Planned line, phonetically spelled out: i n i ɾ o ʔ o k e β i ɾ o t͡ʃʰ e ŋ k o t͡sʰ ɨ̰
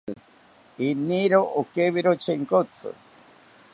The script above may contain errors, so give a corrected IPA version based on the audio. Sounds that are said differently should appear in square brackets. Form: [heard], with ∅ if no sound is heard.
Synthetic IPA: i n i ɾ o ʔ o k e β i ɾ o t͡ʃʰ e ŋ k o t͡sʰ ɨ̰